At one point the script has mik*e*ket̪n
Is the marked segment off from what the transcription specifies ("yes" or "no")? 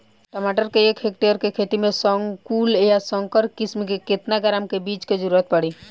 no